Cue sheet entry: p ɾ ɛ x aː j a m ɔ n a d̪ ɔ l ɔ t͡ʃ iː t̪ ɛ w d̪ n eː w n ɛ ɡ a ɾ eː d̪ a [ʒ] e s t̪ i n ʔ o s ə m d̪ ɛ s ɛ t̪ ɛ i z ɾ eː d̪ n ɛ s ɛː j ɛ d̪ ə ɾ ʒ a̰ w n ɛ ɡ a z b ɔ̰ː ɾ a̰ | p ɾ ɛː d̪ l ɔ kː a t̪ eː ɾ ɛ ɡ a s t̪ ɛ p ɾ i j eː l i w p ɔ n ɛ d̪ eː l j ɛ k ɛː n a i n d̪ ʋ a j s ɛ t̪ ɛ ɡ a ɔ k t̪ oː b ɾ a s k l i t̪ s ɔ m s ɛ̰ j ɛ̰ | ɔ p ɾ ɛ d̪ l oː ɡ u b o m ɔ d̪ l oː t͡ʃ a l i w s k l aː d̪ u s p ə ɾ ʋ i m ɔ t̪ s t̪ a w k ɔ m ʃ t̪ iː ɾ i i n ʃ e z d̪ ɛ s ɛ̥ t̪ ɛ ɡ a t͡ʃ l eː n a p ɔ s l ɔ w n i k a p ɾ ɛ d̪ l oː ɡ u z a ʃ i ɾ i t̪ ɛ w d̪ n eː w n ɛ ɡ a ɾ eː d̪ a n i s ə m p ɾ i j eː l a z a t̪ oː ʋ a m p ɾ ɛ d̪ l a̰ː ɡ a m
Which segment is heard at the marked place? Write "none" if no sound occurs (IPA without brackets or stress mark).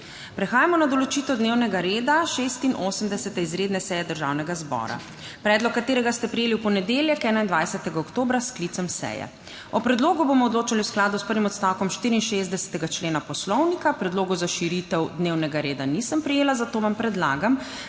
ʃ